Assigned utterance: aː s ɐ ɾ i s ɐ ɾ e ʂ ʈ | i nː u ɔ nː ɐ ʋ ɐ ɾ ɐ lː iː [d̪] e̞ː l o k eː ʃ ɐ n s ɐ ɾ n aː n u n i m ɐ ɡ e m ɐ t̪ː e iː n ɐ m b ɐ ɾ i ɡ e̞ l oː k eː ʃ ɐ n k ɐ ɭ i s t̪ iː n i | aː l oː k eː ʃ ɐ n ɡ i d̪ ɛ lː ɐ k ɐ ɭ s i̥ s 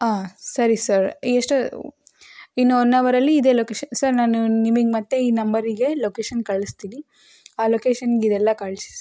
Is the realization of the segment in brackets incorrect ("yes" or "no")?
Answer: no